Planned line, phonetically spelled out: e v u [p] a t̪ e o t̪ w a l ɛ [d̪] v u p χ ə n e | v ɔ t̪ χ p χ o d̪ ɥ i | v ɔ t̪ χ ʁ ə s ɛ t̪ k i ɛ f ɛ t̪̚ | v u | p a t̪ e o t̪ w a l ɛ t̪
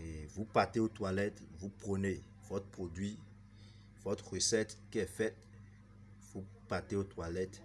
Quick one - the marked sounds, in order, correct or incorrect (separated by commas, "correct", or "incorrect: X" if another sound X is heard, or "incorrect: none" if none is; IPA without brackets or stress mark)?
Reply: correct, incorrect: t̪